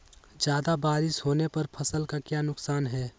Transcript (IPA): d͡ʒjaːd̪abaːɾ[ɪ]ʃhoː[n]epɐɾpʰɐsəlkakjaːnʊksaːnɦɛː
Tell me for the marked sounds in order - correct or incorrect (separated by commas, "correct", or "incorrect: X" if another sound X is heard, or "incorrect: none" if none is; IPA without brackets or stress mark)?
correct, correct